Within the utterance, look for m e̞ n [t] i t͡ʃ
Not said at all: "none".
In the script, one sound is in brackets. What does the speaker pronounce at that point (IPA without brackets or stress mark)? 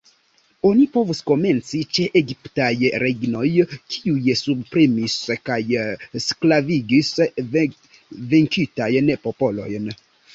t͡s